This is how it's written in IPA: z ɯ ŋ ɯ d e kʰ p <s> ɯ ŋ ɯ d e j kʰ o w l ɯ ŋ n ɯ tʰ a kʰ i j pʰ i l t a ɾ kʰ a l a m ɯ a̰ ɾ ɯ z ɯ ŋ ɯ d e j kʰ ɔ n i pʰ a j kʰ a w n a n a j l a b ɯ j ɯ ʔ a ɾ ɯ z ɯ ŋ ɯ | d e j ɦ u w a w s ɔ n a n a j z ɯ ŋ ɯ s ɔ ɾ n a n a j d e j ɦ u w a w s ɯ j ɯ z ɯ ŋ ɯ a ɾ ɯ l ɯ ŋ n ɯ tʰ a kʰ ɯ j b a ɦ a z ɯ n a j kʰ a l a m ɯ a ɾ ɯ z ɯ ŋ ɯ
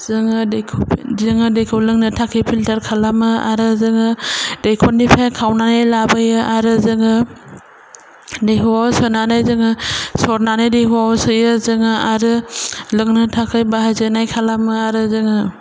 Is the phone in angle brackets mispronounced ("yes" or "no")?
yes